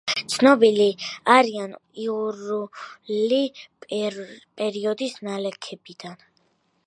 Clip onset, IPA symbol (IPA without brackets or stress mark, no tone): t̪